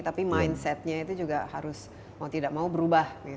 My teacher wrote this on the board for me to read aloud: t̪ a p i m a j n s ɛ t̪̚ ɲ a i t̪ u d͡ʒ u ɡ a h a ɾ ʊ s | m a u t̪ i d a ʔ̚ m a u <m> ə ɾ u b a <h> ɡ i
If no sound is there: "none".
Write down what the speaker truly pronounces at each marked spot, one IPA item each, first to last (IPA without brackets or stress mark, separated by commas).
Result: b, h